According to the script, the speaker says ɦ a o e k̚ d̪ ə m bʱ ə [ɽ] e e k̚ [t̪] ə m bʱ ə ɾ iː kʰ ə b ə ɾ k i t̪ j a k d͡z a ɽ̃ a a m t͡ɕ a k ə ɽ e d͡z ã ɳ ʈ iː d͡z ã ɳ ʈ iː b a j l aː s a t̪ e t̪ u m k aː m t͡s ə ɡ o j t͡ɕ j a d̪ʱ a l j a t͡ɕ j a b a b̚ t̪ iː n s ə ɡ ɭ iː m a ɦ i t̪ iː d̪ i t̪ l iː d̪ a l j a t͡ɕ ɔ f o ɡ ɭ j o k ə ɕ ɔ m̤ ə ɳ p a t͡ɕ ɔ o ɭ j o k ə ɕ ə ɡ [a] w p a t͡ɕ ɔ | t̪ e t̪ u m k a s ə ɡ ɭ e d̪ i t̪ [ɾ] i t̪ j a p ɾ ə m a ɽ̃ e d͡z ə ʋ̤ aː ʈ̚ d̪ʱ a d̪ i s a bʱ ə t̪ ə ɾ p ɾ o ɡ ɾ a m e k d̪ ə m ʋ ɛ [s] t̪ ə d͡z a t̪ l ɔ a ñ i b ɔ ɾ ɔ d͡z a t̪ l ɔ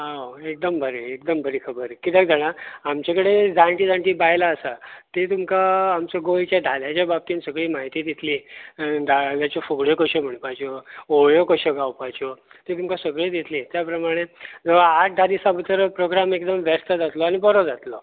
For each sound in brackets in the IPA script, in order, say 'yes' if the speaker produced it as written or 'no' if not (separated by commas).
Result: no, no, yes, no, yes